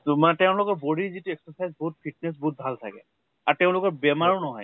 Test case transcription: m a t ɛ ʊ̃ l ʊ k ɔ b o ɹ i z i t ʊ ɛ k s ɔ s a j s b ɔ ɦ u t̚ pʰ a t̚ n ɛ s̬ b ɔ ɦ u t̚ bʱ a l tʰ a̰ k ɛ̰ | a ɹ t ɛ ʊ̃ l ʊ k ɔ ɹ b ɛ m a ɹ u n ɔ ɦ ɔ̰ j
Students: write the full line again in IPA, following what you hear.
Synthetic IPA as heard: m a t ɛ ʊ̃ l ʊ k ɔ b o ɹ i z i t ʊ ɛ k s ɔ s a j z b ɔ ɦ u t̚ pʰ i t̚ n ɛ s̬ b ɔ ɦ u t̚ bʱ a l tʰ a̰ k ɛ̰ | a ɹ t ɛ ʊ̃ l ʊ k ɔ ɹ b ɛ m a ɹ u n ɔ ɦ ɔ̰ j

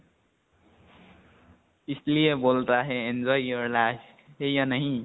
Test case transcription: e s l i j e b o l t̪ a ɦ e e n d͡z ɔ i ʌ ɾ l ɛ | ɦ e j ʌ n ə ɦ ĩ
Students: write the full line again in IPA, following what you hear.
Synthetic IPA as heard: i s l i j e b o l t̪ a ɦ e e n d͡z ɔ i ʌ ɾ l a | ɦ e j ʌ n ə ɦ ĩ

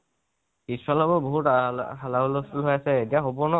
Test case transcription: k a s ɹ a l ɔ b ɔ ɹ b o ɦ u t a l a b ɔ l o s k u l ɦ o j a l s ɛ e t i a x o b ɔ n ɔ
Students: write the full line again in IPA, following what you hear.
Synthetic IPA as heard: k i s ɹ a l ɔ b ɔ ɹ b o ɦ u t a l a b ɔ l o s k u l ɦ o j a s ɛ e t i a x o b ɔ n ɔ

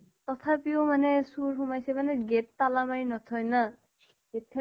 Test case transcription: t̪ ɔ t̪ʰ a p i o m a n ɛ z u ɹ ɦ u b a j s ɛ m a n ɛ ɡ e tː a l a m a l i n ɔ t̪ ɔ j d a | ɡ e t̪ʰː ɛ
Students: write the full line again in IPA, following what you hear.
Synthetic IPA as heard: t̪ ɔ t̪ʰ a p i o m a n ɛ s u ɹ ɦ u m a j s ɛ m a n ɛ ɡ e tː a l a m a ɹ i n ɔ t̪ʰ ɔ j n a | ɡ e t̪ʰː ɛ

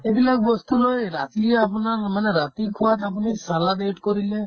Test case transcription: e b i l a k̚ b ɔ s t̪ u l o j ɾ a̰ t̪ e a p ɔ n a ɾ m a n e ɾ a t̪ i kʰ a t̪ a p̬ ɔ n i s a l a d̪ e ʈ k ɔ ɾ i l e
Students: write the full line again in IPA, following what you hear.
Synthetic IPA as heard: e b i l a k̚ b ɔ s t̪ u l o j ɾ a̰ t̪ i a p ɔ n a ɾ m a n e ɾ a t̪ i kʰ a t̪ a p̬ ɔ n i s a l a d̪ e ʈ k ɔ ɾ i l e

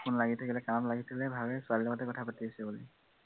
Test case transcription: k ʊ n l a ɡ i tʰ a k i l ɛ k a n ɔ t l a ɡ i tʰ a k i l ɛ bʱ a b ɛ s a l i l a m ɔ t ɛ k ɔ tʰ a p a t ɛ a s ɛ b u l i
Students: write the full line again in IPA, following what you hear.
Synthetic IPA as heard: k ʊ n l a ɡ i tʰ a k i l ɛ k a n ɔ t l a ɡ i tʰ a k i l ɛ bʱ a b ɛ s a l i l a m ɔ t ɛ k ɔ tʰ a p a t i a s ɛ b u l i

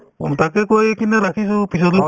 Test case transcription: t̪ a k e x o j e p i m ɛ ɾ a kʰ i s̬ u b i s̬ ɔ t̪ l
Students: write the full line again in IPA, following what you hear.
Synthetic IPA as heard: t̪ a k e k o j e k i n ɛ ɾ a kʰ i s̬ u p i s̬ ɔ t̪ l

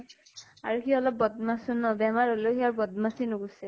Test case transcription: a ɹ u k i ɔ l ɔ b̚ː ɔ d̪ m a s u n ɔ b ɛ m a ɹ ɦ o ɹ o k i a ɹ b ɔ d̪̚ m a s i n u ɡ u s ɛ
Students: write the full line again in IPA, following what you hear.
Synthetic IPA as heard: a ɹ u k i ɔ l ɔ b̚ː ɔ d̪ m a s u n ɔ b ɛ m a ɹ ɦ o l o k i a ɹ b ɔ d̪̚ m a s i n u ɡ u s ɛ

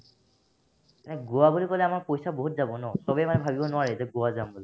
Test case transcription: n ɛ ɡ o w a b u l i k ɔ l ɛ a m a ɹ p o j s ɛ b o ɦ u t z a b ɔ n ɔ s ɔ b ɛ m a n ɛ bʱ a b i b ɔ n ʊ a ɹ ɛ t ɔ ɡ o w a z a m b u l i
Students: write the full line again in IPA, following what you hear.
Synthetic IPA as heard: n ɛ ɡ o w a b u l i k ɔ l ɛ a m a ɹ p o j s a b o ɦ u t z a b ɔ n ɔ s ɔ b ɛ m a n ɛ bʱ a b i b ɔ n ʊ a ɹ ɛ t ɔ ɡ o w a z a m b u l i

